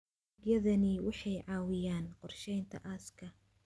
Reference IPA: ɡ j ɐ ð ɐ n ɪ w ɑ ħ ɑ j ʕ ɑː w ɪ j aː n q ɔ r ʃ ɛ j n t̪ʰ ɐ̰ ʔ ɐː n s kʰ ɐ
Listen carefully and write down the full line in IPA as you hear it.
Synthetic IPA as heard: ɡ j ɐ ð ɐ n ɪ w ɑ ħ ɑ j ʕ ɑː w ɪ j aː n q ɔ r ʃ ɛ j n t̪ʰ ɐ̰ ʔ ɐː s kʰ ɐ